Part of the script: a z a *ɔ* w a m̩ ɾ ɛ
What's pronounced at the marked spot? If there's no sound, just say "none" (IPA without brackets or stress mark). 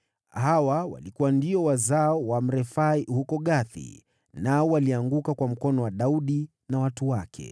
ɔ